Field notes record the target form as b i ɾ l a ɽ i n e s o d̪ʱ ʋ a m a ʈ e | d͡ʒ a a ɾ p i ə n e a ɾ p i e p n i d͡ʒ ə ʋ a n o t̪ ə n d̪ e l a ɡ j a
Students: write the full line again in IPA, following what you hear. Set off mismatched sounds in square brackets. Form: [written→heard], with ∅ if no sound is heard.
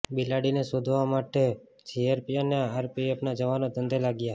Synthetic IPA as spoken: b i [ɾ→∅] l a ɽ i n e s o d̪ʱ ʋ a m a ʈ e | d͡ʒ [a→i] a ɾ p i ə n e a ɾ p i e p n [i→a] d͡ʒ ə ʋ a n o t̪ ə n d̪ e l a ɡ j a